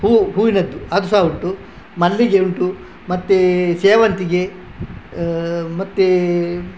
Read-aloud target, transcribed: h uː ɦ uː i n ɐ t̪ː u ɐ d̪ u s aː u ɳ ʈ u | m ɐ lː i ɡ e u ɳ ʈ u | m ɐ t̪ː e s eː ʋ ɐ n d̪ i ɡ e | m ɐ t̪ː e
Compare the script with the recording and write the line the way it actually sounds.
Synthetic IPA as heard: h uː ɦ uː i n ɐ d̪ː u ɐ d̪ u s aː u ɳ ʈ u | m ɐ lː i ɡ e u ɳ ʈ u | m ɐ t̪ː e s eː ʋ ɐ n t̪ i ɡ e | m ɐ t̪ː e